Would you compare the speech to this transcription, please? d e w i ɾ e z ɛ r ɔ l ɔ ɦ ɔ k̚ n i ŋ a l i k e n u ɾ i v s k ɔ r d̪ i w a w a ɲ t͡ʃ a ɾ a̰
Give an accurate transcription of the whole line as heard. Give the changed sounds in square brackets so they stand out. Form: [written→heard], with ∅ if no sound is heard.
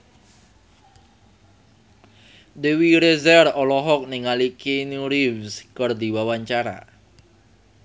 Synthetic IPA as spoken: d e w i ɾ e z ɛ r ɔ l ɔ ɦ ɔ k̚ n i ŋ a l i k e n u ɾ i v s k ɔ r d̪ i w a w a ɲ t͡ʃ a ɾ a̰

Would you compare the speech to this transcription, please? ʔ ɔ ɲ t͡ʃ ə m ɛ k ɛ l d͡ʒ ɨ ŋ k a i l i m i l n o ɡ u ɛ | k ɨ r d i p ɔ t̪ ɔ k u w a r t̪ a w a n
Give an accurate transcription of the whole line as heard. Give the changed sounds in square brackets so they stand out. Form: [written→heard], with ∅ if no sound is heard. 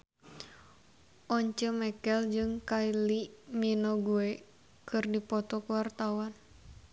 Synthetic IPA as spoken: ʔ ɔ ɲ t͡ʃ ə m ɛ k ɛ l d͡ʒ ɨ ŋ k a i l i m i [l→∅] n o ɡ u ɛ | k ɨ r d i p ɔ t̪ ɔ k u w a r t̪ a w a n

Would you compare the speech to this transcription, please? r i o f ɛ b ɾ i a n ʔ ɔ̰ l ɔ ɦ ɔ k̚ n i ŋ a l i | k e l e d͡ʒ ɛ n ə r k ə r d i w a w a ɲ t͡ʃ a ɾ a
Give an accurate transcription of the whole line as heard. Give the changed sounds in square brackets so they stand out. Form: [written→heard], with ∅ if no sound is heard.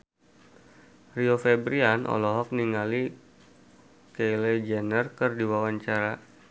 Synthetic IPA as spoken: r i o f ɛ b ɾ i a n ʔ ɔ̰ l ɔ ɦ ɔ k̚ n i ŋ a l i | k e l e d͡ʒ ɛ n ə r k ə r d i w a w a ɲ t͡ʃ a ɾ a

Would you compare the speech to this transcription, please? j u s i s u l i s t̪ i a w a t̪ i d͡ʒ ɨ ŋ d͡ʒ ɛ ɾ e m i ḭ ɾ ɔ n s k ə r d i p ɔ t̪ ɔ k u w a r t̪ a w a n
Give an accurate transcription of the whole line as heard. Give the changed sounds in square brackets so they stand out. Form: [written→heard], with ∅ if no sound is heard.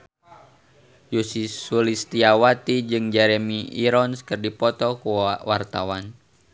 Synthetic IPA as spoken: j u s i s u l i s t̪ i a w a t̪ i d͡ʒ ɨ ŋ d͡ʒ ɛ ɾ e m i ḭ ɾ ɔ n s k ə r d i p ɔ t̪ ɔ k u w a r t̪ a w a n

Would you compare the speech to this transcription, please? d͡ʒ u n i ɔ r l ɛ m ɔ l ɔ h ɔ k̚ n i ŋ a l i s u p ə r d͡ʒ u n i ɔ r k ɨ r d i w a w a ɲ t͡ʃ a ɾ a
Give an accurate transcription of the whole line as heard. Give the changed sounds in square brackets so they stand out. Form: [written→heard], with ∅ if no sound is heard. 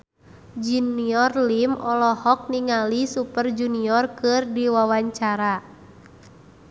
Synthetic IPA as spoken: d͡ʒ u n i ɔ r l [ɛ→i] m ɔ l ɔ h ɔ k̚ n i ŋ a l i s u p ə r d͡ʒ u n i ɔ r k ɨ r d i w a w a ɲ t͡ʃ a ɾ a

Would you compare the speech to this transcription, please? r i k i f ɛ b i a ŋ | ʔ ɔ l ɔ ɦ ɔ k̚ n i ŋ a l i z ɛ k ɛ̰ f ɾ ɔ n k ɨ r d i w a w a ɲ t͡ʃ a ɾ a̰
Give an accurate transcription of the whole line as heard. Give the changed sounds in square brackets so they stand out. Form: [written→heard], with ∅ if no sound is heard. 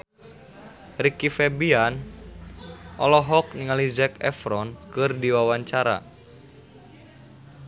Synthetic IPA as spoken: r i k i f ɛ b i a [ŋ→n] | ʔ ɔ l ɔ ɦ ɔ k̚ n i ŋ a l i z ɛ k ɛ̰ f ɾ ɔ n k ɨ r d i w a w a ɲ t͡ʃ a ɾ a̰

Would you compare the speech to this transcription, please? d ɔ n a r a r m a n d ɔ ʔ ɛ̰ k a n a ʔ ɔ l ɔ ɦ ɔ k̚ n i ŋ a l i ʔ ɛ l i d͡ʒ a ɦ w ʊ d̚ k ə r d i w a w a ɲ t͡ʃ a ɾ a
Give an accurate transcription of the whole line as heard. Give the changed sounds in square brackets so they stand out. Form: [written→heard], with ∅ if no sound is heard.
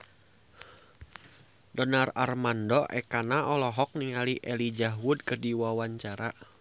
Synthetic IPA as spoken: d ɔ n a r a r m a n d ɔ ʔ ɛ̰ k a n a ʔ ɔ l ɔ ɦ ɔ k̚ n i ŋ a l i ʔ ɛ l i d͡ʒ a ɦ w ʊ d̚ k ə r d i w a w a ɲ t͡ʃ a ɾ a

